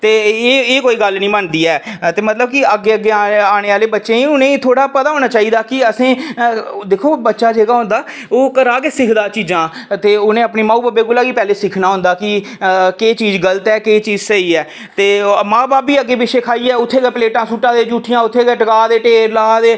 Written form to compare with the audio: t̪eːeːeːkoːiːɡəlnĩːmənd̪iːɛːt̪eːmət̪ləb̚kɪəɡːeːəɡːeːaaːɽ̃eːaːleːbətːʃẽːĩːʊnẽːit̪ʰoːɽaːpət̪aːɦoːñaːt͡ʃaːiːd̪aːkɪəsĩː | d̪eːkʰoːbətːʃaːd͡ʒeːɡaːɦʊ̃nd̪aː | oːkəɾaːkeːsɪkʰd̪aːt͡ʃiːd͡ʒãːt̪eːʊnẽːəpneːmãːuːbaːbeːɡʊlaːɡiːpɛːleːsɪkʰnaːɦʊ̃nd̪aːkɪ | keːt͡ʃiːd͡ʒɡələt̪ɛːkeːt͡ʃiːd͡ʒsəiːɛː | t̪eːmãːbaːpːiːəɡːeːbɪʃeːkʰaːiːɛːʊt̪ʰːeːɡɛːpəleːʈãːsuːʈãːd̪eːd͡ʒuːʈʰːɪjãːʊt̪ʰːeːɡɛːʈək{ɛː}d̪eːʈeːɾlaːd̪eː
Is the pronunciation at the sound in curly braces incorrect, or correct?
incorrect